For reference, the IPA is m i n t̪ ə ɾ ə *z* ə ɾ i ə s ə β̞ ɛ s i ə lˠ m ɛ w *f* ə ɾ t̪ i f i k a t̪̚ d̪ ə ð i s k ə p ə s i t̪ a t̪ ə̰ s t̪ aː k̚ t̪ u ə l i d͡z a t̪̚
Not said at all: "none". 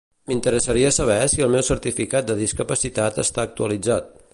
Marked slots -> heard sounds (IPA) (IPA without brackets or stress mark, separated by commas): s, s